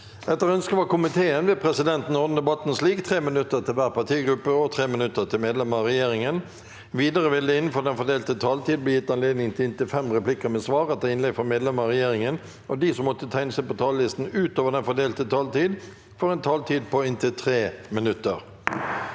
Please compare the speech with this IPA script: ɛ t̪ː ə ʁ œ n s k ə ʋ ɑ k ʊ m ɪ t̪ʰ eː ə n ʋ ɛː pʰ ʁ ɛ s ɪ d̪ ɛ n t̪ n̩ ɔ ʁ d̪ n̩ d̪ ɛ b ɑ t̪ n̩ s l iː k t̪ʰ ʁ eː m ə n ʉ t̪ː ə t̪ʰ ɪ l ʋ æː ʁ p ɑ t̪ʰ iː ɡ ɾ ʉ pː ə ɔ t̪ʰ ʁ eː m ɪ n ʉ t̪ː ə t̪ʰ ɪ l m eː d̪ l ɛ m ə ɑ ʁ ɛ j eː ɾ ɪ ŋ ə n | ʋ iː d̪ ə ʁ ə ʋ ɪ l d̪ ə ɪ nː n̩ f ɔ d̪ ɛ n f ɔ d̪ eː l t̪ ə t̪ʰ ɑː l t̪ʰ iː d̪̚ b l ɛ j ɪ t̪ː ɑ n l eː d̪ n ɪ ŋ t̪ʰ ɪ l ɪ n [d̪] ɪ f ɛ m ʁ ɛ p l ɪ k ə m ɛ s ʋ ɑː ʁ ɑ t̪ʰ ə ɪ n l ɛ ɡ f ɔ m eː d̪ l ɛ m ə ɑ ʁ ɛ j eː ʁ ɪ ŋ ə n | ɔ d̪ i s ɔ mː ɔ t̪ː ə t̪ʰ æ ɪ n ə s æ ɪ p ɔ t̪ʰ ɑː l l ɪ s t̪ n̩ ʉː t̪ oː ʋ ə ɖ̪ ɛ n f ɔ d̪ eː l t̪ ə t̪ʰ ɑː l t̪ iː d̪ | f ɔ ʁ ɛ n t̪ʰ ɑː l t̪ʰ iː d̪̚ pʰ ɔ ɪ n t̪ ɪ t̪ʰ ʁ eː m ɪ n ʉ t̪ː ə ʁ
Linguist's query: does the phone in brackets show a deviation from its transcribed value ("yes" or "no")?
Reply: yes